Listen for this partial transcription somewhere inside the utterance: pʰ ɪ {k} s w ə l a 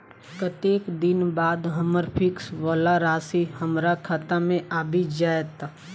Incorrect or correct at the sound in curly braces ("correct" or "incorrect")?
correct